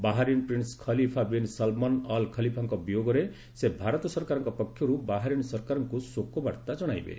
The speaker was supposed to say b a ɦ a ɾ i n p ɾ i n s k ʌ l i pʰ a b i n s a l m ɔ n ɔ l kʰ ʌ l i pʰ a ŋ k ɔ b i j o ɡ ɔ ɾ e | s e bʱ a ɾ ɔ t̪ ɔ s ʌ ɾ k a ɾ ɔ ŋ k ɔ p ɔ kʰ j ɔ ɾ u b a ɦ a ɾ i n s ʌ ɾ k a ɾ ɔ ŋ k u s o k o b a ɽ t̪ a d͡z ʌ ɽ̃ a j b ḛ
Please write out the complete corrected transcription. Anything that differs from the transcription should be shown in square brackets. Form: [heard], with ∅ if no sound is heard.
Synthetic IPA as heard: b a ɦ a ɾ i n p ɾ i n s [kʰ] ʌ l i pʰ a b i n s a l m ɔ n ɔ l kʰ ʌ l i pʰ a ŋ k ɔ b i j o ɡ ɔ ɾ e | s e bʱ a ɾ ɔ t̪ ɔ s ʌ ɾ k a ɾ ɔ ŋ k ɔ p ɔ kʰ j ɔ ɾ u b a ɦ a ɾ i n s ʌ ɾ k a ɾ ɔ ŋ k u s o k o b a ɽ t̪ a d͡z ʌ ɽ̃ a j b ḛ

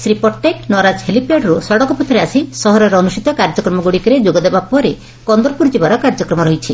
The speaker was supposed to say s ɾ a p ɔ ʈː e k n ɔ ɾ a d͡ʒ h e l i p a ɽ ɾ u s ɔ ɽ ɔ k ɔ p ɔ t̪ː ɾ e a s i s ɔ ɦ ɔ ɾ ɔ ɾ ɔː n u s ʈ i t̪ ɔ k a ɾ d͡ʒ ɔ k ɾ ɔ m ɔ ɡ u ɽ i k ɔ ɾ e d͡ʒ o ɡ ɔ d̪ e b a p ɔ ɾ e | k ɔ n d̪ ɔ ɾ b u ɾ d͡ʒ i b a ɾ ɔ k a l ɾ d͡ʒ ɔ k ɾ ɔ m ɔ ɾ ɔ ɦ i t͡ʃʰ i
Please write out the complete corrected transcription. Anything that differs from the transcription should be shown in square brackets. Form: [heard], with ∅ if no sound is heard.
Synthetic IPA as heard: s ɾ [i] p ɔ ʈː e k n ɔ ɾ a d͡ʒ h e l i p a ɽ ɾ u s ɔ ɽ ɔ k ɔ p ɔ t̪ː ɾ e a s i s ɔ ɦ ɔ ɾ ɔ ɾ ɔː n u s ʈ i t̪ ɔ k a ɾ d͡ʒ ɔ k ɾ ɔ m ɔ ɡ u ɽ i k ɔ ɾ e d͡ʒ o ɡ ɔ d̪ e b a p ɔ ɾ e | k ɔ n d̪ ɔ ɾ [p] u ɾ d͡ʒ i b a ɾ ɔ k a [∅] ɾ d͡ʒ ɔ k ɾ ɔ m ɔ ɾ ɔ ɦ i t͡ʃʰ i

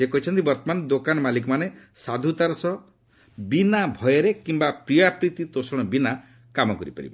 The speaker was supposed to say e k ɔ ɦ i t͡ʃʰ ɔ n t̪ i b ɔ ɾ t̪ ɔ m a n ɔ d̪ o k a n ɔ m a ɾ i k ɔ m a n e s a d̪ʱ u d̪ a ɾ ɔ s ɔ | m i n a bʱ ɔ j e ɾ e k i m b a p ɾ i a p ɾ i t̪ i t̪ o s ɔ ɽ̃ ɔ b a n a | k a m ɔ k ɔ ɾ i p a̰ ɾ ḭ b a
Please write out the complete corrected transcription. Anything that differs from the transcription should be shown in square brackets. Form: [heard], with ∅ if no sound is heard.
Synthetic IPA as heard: e k ɔ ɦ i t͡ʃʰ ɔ n t̪ i b ɔ ɾ t̪ ɔ m a n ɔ d̪ o k a n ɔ m a [l] i k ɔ m a n e s a d̪ʱ u [t̪] a ɾ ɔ s ɔ | [b] i n a bʱ ɔ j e ɾ e k i m b a p ɾ i a p ɾ i t̪ i t̪ o s ɔ ɽ̃ ɔ b [i] n a | k a m ɔ k ɔ ɾ i p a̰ ɾ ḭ b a

